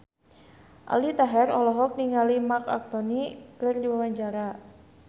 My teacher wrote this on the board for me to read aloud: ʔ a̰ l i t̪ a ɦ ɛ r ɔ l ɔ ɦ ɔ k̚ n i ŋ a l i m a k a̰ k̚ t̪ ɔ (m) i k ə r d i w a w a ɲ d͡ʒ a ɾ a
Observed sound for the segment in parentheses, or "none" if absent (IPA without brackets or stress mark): n